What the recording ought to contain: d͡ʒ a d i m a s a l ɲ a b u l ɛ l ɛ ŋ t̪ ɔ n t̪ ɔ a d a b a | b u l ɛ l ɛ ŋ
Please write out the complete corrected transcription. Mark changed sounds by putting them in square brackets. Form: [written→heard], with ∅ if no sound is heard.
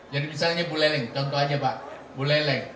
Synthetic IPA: d͡ʒ a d i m [a→i] s a l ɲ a b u l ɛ l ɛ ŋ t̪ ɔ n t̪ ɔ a [d→d͡ʒ] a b a | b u l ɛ l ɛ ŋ